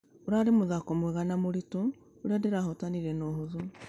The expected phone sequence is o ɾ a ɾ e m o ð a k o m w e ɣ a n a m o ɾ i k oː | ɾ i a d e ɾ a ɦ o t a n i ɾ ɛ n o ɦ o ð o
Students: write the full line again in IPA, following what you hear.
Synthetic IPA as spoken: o ɾ a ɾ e m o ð a k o m w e ɣ a n a m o ɾ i t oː | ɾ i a d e ɾ a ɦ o t a n i ɾ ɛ n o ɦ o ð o